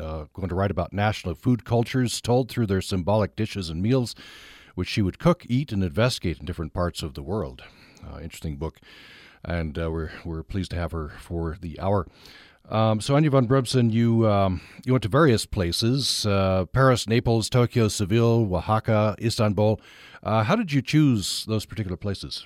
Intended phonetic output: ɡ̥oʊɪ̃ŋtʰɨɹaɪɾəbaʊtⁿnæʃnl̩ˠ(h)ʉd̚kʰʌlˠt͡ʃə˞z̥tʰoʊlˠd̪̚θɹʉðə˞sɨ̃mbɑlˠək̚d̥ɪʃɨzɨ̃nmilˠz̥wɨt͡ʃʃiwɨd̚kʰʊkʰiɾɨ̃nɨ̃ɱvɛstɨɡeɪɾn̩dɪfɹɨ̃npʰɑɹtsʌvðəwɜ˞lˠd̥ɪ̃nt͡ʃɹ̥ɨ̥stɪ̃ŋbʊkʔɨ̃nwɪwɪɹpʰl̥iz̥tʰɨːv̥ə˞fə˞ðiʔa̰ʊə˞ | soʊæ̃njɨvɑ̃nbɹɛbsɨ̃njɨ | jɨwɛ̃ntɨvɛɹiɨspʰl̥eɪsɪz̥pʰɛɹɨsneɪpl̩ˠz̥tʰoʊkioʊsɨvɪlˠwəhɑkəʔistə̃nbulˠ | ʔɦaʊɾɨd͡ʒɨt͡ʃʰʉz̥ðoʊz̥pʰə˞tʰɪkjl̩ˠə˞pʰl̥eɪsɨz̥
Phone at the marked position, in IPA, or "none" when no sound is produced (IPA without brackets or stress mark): f